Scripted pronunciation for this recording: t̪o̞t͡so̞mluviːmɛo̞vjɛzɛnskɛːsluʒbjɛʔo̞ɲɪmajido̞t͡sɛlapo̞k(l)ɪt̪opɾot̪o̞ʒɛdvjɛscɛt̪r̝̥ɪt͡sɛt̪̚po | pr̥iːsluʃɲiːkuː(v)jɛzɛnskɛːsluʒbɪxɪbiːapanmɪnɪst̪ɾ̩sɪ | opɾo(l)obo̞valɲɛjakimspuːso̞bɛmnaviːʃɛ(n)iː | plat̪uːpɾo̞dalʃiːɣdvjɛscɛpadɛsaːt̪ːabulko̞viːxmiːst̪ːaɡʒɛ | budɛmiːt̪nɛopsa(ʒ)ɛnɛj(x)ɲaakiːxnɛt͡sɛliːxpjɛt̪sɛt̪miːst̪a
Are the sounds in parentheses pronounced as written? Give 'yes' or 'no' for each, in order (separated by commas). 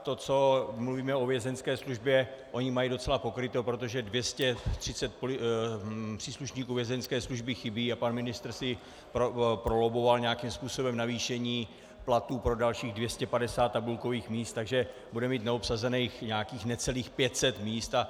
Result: no, yes, yes, no, no, yes